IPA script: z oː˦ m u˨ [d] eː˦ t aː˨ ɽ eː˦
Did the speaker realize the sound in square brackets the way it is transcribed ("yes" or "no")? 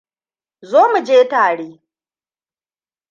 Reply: no